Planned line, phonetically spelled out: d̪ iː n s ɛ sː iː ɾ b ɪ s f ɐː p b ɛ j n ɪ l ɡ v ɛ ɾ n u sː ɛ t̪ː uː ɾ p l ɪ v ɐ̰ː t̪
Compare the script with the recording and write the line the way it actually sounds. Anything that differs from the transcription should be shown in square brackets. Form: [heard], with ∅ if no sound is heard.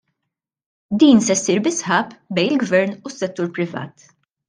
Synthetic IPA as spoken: d̪ iː n s ɛ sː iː ɾ b ɪ s [ħ] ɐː p b ɛ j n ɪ l ɡ v ɛ ɾ n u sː ɛ t̪ː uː ɾ p [ɾ] ɪ v ɐ̰ː t̪